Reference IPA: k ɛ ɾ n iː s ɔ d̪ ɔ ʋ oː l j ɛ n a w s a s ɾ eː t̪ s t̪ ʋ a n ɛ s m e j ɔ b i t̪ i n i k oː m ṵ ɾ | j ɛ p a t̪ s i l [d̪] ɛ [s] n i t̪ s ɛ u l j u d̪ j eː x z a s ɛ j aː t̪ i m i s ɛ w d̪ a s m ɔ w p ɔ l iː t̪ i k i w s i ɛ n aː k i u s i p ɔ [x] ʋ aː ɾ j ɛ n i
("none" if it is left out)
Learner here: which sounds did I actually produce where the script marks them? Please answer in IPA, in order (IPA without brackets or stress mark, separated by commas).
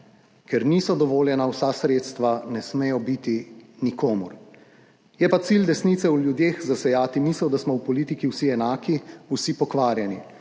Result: d̪, s, k